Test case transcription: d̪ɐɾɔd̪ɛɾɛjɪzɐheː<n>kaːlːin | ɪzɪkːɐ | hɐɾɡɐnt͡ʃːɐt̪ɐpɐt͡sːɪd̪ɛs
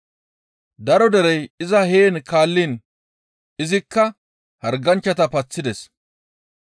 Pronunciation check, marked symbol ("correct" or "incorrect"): correct